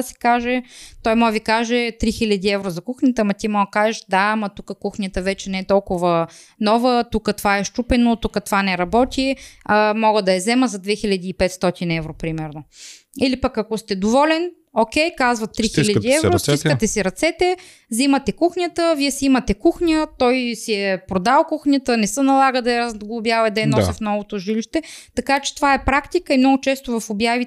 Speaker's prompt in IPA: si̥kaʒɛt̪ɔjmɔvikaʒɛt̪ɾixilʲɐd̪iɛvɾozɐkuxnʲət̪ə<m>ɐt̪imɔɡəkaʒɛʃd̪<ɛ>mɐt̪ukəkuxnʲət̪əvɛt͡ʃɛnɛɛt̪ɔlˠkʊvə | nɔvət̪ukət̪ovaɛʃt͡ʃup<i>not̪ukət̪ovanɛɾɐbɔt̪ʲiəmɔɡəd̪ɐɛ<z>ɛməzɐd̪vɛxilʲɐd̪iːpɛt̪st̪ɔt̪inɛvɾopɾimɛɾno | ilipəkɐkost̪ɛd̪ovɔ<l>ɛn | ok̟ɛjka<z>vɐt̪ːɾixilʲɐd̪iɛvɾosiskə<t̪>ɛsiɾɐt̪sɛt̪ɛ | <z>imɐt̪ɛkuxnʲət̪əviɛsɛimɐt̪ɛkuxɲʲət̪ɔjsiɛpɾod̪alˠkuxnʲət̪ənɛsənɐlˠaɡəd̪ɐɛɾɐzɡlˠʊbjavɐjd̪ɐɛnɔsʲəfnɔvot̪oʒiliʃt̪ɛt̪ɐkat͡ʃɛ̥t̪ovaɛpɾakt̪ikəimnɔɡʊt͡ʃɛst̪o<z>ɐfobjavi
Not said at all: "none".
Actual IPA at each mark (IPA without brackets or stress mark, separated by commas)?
m, a, ɛ, z, l, z, t̪, z, v